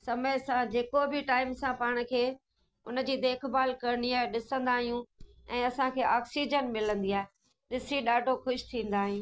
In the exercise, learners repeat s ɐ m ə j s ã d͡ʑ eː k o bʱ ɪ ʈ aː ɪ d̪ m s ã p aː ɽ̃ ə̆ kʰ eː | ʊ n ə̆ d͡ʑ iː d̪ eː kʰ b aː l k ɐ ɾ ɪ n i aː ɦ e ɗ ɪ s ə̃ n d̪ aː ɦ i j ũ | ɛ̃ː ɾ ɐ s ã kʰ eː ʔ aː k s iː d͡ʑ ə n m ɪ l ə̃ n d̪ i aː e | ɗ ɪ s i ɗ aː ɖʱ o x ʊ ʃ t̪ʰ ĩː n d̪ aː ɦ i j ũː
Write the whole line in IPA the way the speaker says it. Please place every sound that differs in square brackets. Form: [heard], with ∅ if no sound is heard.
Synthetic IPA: s ɐ m ə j s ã d͡ʑ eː k o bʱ ɪ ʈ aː ɪ [∅] m s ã p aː ɽ̃ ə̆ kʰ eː | ʊ n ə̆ d͡ʑ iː d̪ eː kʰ b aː l k ɐ ɾ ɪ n i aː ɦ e ɗ ɪ s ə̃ n d̪ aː ɦ i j ũ | ɛ̃ː [∅] ɐ s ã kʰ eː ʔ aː k s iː d͡ʑ ə n m ɪ l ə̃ n d̪ i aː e | ɗ ɪ s i ɗ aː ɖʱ o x ʊ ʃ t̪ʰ ĩː n d̪ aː ɦ i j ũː